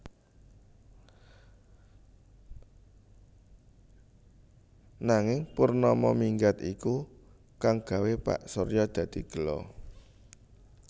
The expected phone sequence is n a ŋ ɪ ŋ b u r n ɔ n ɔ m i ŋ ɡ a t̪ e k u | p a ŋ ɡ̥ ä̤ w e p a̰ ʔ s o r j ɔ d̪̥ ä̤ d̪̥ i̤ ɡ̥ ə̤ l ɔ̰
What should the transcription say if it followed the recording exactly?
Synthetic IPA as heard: n a ŋ ɪ ŋ p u r n ɔ m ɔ m i ŋ ɡ a t̪ i k u | k a ŋ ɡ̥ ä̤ w e p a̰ ʔ s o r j ɔ d̪̥ ä̤ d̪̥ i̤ ɡ̥ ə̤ l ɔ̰